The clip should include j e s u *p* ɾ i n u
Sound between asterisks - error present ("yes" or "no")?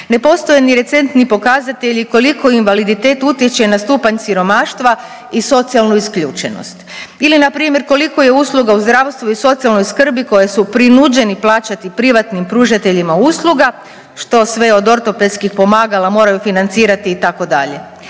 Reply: no